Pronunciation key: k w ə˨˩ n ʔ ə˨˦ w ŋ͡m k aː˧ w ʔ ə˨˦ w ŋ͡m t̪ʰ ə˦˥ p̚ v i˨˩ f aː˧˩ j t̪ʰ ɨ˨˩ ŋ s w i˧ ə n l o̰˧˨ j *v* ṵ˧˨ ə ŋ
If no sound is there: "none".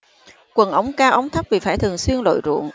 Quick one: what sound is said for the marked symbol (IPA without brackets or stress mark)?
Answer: z